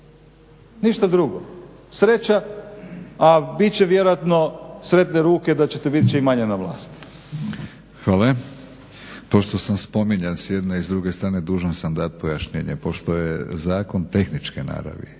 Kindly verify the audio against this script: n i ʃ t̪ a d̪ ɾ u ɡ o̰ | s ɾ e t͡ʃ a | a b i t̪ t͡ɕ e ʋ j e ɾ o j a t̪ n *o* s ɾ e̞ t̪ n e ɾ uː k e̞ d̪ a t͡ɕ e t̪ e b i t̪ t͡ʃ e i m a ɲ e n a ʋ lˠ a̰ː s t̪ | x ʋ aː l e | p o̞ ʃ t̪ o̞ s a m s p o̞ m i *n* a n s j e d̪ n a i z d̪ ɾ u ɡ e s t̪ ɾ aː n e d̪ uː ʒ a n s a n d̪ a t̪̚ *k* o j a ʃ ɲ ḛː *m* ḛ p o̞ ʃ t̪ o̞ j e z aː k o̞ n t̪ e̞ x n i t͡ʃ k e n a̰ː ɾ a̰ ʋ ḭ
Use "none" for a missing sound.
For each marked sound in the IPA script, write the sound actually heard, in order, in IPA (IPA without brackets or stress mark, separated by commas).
o, ɲ, p, ɲ